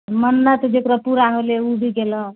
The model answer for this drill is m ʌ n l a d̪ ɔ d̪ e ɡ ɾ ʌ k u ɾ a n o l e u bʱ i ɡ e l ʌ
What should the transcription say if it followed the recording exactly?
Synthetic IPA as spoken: m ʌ n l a t̪ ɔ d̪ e k ɾ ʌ p u ɾ a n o l e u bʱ i ɡ e l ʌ

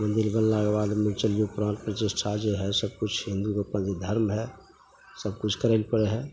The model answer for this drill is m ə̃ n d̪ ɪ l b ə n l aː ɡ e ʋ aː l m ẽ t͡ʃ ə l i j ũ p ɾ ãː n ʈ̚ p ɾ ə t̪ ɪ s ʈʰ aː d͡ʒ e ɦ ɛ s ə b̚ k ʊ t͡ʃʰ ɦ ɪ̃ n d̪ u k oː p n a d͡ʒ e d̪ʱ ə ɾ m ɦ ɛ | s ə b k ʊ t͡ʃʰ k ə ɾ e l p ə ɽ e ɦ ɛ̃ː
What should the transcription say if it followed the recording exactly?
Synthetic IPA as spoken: m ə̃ n d̪ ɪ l b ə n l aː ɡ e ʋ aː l m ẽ t͡ʃ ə l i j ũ p ɾ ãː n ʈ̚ p ɾ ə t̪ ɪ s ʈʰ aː d͡ʒ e ɦ ɛ s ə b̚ k ʊ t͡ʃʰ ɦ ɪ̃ n d̪ u k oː p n a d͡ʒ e d̪ʱ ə ɾ m ɦ ɛ | s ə b k ʊ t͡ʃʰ k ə ɾ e l p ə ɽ e ɦ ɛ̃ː

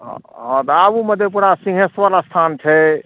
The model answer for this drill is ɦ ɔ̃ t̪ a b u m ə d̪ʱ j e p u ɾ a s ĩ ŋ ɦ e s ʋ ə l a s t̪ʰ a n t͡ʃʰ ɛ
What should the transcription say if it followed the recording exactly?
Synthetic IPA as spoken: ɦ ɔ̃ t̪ a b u m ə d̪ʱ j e p u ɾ a s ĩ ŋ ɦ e s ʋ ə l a s t̪ʰ a n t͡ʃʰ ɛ

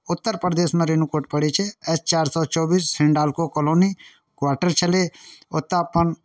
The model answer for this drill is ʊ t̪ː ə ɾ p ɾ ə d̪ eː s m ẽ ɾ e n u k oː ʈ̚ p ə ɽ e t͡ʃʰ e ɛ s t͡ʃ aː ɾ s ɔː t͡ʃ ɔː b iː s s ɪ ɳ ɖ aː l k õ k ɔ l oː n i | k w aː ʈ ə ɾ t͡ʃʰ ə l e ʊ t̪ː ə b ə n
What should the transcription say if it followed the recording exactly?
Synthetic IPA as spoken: ʊ t̪ː ə ɾ p ɾ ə d̪ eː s m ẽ ɾ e n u k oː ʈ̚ p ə ɽ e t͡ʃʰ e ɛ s t͡ʃ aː ɾ s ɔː t͡ʃ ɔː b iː s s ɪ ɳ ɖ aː l k o k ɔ l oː n i | k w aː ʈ ə ɾ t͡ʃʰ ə l e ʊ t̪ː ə p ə n

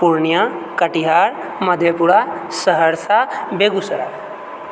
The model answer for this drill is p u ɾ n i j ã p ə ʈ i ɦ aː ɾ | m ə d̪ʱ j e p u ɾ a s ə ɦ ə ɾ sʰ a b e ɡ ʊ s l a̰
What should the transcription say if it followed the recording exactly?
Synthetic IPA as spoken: p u ɾ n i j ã k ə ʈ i ɦ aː ɾ | m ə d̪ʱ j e p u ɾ a s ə ɦ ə ɾ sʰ a b e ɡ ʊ s ɾ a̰

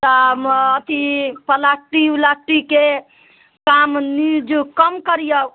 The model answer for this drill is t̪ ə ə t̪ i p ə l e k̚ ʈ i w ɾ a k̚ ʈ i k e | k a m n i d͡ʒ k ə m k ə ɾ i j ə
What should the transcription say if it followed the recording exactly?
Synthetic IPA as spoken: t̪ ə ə t̪ i p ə l a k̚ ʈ i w l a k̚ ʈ i k e | k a m n i d͡ʒ k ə m k ə ɾ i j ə

